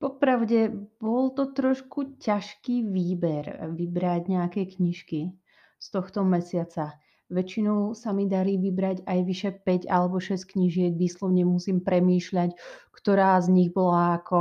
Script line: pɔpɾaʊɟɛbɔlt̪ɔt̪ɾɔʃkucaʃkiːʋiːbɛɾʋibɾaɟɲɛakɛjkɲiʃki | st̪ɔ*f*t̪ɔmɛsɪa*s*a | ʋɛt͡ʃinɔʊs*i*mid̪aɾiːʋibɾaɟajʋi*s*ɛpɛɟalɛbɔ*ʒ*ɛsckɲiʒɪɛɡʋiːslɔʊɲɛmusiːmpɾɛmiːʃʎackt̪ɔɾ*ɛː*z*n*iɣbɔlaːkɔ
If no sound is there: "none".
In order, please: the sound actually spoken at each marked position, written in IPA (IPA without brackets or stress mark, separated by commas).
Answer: x, t͡s, a, ʃ, ʃ, aː, ɲ